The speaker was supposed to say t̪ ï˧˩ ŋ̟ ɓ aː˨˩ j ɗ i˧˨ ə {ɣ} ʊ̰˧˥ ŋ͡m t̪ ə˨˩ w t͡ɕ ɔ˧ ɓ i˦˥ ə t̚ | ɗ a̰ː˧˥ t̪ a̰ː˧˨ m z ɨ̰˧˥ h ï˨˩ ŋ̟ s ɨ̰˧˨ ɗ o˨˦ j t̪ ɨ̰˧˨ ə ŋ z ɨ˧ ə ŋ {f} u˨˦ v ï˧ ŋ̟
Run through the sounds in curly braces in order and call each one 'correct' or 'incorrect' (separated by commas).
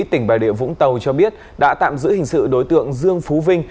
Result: incorrect, correct